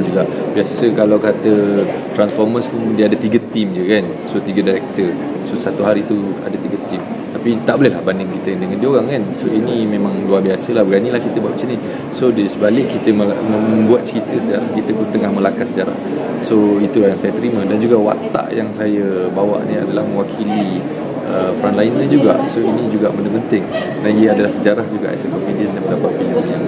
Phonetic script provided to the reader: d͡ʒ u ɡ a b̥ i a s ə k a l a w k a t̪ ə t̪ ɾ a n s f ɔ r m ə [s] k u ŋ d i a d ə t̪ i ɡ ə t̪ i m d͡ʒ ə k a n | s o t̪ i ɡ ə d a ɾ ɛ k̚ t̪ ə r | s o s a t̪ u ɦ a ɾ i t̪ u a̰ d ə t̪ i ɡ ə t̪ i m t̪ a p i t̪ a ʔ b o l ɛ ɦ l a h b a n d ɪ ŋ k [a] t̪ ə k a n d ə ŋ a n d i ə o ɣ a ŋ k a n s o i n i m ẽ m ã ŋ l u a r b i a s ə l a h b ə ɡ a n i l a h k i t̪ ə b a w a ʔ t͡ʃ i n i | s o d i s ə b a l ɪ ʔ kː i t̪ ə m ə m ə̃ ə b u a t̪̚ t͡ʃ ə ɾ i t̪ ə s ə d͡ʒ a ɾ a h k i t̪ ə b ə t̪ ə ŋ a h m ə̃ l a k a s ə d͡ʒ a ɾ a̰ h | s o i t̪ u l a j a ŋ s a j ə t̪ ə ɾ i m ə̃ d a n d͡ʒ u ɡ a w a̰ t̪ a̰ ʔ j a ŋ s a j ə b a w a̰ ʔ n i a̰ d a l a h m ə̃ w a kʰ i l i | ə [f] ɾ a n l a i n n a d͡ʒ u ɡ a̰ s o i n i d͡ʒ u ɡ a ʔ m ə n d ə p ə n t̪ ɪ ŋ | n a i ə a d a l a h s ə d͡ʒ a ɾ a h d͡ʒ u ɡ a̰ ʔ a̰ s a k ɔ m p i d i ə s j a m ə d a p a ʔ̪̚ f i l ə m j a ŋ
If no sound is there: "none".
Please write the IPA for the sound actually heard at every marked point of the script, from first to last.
s, i, f

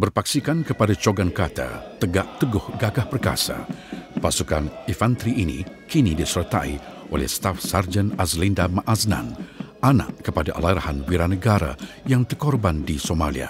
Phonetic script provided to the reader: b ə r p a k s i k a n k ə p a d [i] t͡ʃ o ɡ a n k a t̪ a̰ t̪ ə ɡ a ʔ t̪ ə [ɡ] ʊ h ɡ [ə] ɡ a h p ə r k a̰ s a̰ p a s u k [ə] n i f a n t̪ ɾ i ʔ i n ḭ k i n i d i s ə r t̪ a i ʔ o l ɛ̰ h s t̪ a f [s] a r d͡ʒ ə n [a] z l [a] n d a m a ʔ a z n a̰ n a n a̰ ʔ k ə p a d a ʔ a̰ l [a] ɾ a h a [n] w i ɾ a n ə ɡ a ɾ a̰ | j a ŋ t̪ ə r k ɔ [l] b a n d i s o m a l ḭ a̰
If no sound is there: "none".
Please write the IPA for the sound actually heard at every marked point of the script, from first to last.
a, ɡ, a, a, s, a, i, a, n, r

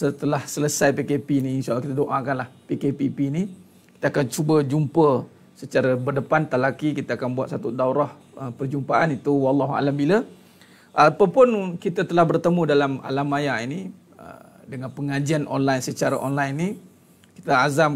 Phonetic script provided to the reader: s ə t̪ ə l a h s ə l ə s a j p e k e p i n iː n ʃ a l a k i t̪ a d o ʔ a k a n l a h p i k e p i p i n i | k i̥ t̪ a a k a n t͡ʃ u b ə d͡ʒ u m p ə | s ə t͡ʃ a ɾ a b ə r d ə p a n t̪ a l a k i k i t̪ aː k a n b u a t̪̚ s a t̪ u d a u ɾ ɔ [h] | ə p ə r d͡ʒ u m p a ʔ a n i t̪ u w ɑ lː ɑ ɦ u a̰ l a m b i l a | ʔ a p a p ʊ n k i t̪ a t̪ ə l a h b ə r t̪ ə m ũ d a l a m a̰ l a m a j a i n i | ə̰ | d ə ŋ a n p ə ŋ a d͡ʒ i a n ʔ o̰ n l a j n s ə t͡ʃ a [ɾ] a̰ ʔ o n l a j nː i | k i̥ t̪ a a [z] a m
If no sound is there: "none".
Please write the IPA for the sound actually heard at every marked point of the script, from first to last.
h, ɾ, z

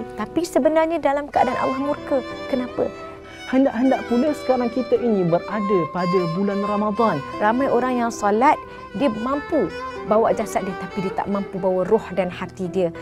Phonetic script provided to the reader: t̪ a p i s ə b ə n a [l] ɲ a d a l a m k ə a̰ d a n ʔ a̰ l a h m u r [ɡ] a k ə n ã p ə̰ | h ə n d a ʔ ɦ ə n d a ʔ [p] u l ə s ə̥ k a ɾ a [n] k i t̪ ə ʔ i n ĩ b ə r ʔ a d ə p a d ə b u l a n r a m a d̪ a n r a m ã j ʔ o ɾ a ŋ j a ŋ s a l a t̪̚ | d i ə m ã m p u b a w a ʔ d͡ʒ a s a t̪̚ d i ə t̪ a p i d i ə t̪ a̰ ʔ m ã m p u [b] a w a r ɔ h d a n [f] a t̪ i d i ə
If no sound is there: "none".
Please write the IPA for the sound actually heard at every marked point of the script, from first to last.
r, k, p, ŋ, b, h

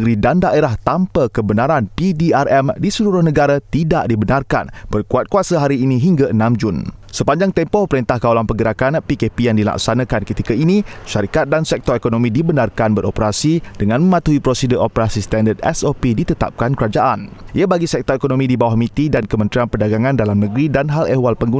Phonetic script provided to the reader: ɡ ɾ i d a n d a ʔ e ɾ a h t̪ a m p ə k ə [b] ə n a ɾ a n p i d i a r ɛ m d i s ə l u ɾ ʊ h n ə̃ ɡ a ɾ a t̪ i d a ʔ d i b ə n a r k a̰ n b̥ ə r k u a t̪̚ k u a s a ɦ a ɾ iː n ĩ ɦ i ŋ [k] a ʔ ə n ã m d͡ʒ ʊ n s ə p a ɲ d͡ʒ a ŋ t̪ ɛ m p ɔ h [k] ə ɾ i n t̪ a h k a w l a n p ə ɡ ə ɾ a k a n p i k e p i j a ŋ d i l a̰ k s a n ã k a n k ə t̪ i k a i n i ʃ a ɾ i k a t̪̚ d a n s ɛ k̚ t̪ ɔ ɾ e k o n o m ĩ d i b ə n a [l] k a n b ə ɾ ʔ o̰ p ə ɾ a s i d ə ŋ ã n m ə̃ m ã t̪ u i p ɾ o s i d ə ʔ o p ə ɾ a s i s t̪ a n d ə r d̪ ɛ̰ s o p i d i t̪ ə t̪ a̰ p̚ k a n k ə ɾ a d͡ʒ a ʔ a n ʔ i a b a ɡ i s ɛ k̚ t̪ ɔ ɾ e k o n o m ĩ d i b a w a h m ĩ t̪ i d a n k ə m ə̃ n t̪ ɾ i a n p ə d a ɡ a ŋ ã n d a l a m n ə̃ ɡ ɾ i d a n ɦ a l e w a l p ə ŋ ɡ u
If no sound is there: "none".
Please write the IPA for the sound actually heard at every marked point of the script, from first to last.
b, ɡ, p, r

